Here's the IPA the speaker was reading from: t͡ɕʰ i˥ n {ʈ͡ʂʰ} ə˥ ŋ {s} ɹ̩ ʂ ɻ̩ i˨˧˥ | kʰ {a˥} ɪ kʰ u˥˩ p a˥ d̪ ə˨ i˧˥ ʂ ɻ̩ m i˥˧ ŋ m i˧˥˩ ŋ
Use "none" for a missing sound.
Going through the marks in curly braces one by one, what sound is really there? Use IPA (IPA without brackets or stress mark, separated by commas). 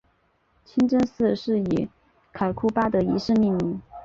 ʈ͡ʂ, s, a˨˩